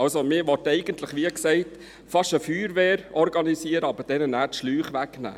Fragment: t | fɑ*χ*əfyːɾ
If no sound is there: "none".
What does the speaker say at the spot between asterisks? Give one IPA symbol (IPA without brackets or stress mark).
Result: ʃ